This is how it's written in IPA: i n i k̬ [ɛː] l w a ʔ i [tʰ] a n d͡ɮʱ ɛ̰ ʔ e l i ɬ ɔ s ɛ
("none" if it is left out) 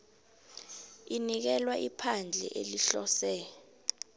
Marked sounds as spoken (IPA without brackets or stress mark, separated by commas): ɛ, pʰ